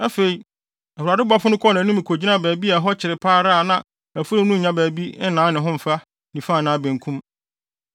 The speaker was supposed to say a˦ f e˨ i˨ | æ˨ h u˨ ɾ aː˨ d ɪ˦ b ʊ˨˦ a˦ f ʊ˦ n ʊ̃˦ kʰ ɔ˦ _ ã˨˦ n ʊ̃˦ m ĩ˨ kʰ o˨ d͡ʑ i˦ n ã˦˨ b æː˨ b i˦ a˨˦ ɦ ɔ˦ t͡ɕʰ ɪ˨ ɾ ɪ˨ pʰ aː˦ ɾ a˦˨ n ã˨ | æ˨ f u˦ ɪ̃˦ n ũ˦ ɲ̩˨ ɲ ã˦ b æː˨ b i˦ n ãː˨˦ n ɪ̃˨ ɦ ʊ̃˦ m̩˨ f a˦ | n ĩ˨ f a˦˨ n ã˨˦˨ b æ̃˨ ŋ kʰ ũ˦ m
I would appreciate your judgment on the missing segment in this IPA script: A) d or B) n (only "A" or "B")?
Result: B